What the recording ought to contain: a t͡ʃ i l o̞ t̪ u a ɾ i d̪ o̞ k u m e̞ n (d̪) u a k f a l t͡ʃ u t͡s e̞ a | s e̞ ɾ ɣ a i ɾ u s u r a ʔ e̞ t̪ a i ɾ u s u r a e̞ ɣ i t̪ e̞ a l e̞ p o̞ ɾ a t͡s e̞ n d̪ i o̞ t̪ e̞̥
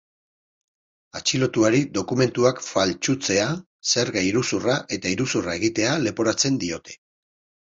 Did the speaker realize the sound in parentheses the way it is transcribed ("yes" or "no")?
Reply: no